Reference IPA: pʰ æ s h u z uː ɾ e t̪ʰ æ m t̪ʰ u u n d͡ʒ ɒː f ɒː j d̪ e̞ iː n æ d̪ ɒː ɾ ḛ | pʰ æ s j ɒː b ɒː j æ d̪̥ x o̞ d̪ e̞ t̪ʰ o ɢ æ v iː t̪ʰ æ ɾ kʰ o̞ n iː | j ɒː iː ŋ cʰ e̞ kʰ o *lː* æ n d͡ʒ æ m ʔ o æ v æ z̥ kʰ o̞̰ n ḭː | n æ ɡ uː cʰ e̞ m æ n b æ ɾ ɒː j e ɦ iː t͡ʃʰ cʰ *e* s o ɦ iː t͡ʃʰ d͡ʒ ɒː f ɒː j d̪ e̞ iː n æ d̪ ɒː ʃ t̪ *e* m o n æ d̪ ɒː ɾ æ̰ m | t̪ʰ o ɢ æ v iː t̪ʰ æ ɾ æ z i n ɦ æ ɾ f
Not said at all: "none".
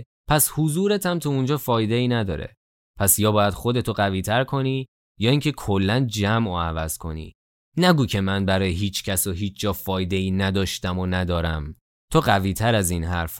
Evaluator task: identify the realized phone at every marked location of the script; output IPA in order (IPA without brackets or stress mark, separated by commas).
lː, æ, æ